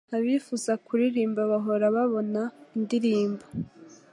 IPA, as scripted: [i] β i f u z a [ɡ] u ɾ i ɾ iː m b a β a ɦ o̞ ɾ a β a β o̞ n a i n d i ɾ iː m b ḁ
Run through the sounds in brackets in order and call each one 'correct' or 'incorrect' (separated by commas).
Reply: incorrect, incorrect